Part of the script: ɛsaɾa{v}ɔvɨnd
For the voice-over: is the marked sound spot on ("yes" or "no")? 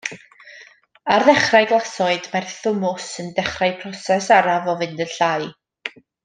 yes